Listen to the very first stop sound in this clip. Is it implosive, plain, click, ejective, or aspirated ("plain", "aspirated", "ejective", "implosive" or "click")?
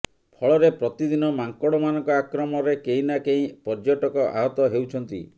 aspirated